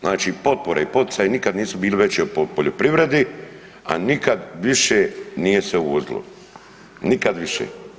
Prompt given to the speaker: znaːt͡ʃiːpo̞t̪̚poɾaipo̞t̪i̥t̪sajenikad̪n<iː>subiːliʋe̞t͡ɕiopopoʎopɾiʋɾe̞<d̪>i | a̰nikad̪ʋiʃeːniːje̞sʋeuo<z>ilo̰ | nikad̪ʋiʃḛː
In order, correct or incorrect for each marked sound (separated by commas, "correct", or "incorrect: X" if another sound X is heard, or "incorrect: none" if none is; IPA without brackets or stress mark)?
correct, correct, correct